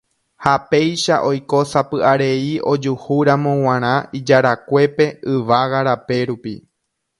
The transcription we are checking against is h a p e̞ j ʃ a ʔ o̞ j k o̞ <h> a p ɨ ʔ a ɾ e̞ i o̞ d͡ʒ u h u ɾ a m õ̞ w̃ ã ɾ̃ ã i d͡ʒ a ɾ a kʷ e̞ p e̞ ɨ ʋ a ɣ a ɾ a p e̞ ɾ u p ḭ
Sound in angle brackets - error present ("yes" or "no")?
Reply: yes